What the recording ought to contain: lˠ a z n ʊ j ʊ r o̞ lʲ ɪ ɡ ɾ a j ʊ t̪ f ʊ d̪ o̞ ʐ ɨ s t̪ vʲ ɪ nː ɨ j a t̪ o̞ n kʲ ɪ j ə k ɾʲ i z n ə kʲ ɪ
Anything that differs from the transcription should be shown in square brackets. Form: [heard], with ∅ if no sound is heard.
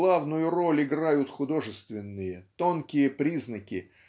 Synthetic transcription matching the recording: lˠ a [v] n ʊ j ʊ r o̞ lʲ ɪ ɡ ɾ a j ʊ t̪ [x] ʊ d̪ o̞ ʐ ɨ s t̪ vʲ ɪ nː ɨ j [ə] t̪ o̞ n kʲ ɪ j ə [p] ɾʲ i z n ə kʲ ɪ